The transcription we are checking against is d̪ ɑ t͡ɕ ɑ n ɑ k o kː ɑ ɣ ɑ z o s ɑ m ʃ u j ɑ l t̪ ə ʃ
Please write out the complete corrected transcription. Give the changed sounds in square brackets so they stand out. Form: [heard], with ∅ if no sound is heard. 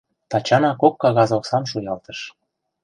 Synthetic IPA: [t̪] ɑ t͡ɕ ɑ n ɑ k o kː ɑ ɣ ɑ z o s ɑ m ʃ u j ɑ l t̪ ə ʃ